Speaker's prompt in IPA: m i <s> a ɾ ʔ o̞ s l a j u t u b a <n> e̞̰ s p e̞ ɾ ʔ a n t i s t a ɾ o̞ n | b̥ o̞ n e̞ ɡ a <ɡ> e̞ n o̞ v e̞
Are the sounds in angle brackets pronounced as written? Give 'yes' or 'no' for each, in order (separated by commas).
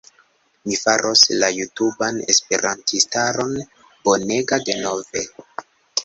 no, yes, no